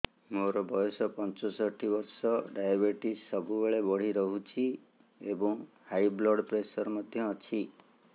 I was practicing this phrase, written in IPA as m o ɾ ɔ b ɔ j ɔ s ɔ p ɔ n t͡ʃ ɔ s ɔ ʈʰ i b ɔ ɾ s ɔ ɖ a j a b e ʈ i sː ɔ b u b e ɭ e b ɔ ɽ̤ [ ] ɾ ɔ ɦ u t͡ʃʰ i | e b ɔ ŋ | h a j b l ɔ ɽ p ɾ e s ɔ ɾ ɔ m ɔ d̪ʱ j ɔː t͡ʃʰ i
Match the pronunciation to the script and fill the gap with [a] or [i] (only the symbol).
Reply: i